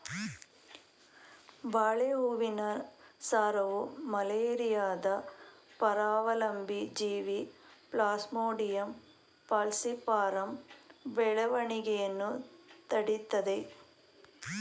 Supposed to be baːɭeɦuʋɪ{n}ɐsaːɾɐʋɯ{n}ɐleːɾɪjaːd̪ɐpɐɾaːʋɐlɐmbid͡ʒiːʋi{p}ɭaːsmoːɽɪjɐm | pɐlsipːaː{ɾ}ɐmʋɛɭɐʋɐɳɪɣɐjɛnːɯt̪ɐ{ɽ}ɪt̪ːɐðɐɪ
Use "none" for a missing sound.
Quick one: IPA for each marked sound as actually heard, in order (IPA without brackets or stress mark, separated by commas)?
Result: n, m, p, ɾ, ɽ